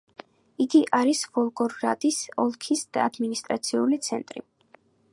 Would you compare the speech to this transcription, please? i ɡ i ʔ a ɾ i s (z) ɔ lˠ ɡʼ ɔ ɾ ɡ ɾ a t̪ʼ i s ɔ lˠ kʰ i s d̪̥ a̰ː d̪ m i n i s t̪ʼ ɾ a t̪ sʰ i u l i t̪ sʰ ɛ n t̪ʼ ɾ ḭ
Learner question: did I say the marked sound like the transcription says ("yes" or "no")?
no